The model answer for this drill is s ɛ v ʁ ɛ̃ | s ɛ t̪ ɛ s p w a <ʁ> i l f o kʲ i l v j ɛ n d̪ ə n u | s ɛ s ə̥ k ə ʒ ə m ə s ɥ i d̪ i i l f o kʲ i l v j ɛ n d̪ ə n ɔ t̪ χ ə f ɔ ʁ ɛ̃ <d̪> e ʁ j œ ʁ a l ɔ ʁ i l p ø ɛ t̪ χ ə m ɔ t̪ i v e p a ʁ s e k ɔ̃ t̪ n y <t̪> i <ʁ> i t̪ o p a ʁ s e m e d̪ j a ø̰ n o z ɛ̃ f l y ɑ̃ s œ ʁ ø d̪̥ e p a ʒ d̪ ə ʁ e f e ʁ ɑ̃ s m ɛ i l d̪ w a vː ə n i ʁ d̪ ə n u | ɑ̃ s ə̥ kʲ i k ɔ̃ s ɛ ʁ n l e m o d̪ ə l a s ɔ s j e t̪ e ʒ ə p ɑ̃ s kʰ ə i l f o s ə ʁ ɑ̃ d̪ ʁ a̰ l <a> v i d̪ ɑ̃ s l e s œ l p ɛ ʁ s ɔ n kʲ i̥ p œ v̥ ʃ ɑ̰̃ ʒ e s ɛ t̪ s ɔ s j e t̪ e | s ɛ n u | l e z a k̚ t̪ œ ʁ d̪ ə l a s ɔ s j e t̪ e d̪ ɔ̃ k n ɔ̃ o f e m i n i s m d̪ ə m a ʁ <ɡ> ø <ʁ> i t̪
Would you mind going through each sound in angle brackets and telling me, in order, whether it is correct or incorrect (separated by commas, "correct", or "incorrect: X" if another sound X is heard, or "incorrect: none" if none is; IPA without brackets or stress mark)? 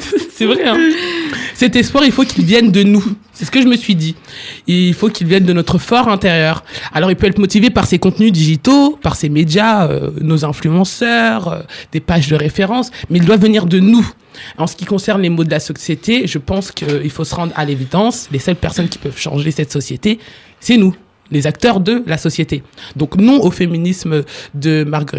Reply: correct, incorrect: t̪, incorrect: d̪, incorrect: ʒ, incorrect: e, correct, correct